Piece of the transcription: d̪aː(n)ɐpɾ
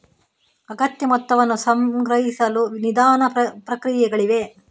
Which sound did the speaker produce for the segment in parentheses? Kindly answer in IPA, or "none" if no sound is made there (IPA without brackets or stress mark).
n